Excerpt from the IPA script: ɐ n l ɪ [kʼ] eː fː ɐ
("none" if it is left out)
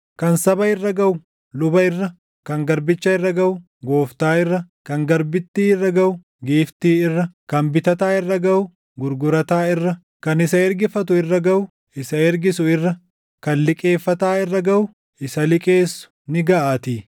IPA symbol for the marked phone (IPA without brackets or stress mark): kʼ